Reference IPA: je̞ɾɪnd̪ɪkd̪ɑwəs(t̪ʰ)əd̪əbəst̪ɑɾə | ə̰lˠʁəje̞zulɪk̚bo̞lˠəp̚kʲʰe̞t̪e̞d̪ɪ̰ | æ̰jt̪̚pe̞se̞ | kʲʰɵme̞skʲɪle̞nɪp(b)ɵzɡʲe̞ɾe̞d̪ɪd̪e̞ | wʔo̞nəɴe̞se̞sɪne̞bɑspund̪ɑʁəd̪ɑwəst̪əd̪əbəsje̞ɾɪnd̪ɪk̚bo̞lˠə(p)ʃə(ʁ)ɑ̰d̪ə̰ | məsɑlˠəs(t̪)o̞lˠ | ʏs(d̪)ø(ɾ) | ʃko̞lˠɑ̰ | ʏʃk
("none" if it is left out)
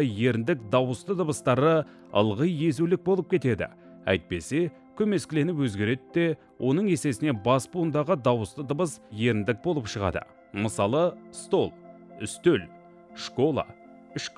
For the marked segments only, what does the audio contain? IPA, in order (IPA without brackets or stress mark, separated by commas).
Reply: t̪, w, p, ʁ, t̪, t̪, l